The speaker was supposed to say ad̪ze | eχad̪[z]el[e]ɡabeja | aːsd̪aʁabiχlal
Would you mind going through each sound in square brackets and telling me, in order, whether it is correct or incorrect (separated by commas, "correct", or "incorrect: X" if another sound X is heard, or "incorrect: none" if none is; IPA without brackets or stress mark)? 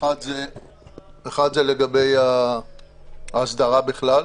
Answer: correct, correct